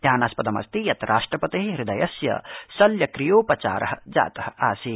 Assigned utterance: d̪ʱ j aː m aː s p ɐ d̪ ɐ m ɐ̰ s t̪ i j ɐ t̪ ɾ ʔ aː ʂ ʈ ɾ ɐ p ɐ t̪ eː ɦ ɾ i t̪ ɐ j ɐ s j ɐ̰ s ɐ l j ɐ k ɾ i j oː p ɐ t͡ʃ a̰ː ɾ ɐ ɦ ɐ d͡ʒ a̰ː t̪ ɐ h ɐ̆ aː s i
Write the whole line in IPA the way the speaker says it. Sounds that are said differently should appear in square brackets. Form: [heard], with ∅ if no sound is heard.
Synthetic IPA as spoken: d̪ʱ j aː [n] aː s p ɐ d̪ ɐ m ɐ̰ s t̪ i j ɐ t̪ ɾ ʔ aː ʂ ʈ ɾ ɐ p ɐ t̪ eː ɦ ɾ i [d̪] ɐ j ɐ s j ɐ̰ s ɐ l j ɐ k ɾ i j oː p ɐ t͡ʃ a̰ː ɾ ɐ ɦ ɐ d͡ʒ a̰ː t̪ ɐ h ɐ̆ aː s i